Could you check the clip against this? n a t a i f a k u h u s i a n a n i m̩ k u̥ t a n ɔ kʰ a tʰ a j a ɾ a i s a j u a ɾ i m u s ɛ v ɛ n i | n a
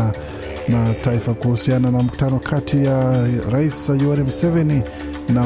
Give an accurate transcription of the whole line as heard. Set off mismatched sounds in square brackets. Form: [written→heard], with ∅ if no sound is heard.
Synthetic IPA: n a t a i f a k u h u s i a n a n [i→a] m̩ k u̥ t a n ɔ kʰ a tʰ [a→i] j a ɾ a i s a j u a ɾ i m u s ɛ v ɛ n i | n a